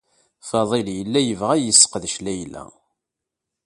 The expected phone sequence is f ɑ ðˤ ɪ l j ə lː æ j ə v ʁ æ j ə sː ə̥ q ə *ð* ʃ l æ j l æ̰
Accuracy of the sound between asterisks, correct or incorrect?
correct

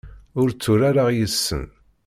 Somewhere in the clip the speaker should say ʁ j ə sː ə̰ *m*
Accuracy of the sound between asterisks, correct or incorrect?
incorrect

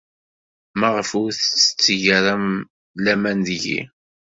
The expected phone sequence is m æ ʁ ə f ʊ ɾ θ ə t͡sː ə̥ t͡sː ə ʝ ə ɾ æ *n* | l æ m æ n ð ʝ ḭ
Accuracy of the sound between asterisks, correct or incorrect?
incorrect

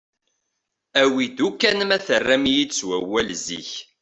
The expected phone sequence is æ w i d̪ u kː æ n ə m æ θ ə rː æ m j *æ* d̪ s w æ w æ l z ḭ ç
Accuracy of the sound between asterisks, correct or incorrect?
incorrect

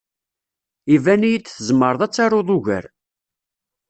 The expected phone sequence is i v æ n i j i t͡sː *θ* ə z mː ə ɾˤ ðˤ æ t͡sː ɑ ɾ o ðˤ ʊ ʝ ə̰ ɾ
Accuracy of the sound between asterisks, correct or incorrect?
correct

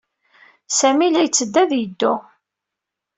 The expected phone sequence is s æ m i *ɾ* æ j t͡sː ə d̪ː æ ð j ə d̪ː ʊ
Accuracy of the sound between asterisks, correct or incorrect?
incorrect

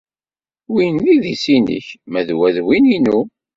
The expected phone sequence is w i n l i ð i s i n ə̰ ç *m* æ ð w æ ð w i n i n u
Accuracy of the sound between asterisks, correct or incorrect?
correct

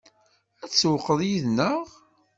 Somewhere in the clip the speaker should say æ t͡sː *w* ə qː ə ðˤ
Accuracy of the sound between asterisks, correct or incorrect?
correct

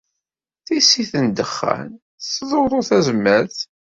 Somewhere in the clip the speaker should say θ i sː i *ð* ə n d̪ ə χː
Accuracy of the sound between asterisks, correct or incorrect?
incorrect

